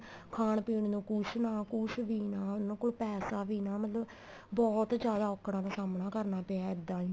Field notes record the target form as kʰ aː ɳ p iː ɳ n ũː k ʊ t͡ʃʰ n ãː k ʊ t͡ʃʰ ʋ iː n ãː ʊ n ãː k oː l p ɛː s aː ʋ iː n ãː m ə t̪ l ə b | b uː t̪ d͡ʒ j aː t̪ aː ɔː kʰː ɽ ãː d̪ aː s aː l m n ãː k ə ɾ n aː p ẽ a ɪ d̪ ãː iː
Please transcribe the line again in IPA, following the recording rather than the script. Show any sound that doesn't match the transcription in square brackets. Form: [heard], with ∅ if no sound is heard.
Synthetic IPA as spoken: kʰ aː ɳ p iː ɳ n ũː k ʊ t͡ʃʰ n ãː k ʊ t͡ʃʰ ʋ iː n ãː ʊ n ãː k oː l p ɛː s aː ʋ iː n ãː m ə t̪ l ə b | b [ɔː] t̪ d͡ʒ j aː [d̪] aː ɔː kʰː ɽ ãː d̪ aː s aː [∅] m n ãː k ə ɾ n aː p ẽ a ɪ d̪ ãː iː